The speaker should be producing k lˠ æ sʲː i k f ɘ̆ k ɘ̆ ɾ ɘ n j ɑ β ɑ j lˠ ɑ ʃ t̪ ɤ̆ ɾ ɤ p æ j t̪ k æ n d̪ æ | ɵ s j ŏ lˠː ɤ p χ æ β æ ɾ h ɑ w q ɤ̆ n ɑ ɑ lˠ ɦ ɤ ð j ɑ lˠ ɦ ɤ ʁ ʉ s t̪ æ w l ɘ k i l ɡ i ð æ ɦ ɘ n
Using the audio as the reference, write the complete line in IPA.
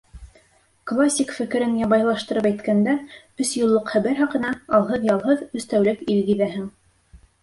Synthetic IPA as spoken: k lˠ a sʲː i k f ɘ̆ k ɘ̆ ɾ ɘ n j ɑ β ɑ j lˠ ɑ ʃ t̪ ɤ̆ ɾ ɤ p æ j t̪ k æ n d̪ æ | ɵ s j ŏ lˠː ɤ q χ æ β æ ɾ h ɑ q ɤ̆ n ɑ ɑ lˠ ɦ ɤ ð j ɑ lˠ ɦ ɤ ð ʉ s t̪ æ w l ɘ k i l ɡ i ð æ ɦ ɘ ŋ